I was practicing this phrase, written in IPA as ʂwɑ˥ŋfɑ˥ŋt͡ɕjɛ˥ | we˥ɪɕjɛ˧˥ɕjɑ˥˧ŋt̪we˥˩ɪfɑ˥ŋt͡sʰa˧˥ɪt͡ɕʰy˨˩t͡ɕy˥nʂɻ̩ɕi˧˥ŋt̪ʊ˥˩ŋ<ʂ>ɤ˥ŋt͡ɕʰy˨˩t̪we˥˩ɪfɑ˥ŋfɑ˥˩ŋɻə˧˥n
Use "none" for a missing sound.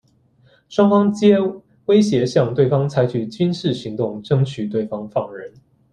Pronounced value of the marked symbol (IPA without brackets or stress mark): ʈ͡ʂ